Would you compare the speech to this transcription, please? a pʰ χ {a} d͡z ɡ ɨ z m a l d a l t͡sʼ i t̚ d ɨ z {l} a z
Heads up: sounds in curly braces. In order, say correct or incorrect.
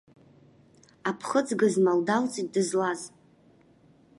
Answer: incorrect, correct

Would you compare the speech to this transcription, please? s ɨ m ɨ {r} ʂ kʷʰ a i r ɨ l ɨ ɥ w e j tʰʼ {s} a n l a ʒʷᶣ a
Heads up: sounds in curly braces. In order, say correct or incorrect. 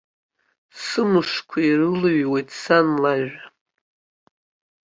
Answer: incorrect, correct

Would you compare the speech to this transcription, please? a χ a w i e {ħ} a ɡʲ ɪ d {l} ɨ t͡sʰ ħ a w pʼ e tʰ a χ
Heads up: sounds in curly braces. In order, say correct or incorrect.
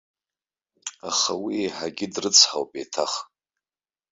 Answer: correct, incorrect

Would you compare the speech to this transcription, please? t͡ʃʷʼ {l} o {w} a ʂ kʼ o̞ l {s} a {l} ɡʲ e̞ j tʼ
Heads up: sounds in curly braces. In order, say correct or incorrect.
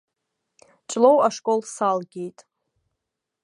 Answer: correct, correct, correct, correct

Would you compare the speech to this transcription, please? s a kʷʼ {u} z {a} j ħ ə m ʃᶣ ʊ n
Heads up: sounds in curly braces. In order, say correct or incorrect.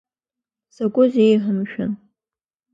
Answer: incorrect, incorrect

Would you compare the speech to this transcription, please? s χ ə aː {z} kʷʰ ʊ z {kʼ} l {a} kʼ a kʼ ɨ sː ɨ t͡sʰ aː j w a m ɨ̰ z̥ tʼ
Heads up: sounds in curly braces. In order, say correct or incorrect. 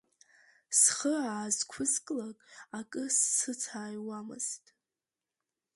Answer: correct, correct, correct

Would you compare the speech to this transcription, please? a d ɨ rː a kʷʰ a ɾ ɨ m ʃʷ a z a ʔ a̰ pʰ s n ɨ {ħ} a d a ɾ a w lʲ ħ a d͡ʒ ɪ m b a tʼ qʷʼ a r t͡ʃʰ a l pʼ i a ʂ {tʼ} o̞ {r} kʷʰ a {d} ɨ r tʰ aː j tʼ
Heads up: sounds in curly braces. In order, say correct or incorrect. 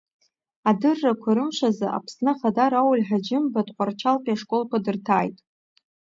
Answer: incorrect, incorrect, incorrect, correct

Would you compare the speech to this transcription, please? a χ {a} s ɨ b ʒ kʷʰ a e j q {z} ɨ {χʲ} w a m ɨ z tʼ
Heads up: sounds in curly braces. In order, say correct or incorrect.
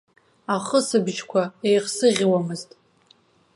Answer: incorrect, incorrect, incorrect

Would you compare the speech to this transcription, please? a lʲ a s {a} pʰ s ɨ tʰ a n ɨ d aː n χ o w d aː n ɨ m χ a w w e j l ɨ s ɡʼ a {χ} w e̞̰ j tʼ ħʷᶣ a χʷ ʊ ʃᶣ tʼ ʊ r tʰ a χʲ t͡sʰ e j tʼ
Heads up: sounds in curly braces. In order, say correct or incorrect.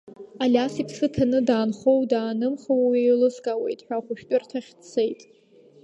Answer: incorrect, incorrect

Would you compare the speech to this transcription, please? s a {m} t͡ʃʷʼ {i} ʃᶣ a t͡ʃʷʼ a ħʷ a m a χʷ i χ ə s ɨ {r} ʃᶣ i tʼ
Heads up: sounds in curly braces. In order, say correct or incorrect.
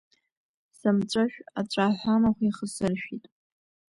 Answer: correct, incorrect, correct

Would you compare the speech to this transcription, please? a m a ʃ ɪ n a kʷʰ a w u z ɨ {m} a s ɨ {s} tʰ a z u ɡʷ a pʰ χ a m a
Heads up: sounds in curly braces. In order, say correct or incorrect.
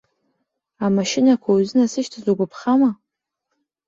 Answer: incorrect, incorrect

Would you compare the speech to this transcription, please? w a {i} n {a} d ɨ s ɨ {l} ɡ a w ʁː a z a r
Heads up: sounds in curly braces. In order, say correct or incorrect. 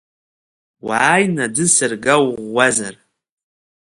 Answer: incorrect, correct, incorrect

